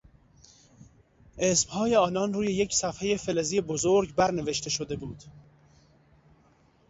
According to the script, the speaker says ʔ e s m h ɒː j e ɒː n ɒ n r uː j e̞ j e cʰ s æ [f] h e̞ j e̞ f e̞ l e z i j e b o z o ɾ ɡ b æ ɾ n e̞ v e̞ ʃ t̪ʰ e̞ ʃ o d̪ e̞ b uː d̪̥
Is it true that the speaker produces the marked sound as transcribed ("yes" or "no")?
yes